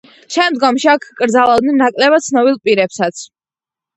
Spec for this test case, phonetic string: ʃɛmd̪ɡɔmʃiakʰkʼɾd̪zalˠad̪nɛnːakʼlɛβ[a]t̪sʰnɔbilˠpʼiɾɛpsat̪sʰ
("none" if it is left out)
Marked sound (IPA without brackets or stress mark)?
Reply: a